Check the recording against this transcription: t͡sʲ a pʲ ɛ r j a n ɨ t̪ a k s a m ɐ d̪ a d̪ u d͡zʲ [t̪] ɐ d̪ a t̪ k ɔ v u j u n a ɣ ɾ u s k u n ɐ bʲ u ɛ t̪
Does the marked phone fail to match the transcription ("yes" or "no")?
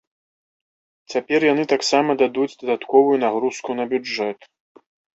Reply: yes